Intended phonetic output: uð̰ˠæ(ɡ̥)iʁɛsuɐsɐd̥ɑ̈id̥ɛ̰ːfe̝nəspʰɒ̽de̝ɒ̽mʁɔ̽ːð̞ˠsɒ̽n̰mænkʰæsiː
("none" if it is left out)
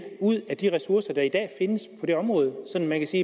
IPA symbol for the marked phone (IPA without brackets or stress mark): d̥